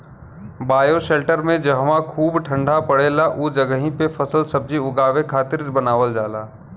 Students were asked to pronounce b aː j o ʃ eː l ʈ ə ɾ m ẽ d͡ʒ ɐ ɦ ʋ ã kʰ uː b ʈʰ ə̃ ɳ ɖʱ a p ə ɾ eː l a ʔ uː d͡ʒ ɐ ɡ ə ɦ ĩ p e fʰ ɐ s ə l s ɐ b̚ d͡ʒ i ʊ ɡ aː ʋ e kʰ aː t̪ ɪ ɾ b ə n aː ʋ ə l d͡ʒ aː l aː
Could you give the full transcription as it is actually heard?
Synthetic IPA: b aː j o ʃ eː l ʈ ə ɾ m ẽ d͡ʒ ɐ ɦ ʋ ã kʰ uː b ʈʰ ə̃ ɳ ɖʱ a p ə ɽ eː l a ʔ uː d͡ʒ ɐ ɡ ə ɦ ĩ p e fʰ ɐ s ə l s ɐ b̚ d͡ʒ i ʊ ɡ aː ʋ e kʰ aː t̪ ɪ ɾ b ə n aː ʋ ə l d͡ʒ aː l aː